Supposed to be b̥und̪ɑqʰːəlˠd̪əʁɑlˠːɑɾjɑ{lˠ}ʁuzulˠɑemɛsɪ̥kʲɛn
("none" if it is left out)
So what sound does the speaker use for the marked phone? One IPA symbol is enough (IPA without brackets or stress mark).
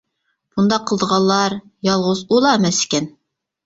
lˠ